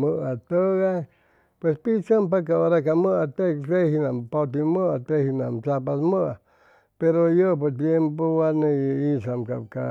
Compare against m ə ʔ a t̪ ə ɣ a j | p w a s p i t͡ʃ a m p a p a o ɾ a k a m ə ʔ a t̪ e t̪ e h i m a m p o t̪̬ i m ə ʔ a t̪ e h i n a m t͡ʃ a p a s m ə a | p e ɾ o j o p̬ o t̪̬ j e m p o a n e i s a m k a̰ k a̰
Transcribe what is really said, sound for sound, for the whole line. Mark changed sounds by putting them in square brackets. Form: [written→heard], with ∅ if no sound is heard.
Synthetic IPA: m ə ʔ a t̪ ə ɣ a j | p w [a→e] s p i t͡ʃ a m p a [p→k] a o ɾ a k a m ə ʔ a t̪ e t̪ e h i [m→n] a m p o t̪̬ i m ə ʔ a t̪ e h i n a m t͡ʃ a p a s m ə a | p e ɾ o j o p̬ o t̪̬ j e m p o a n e i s a m k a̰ k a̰